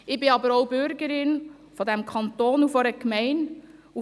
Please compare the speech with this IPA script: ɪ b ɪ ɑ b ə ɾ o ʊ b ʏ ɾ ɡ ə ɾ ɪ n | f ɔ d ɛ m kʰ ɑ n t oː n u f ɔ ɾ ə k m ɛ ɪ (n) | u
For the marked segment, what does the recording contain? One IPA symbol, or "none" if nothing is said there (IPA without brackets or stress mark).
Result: n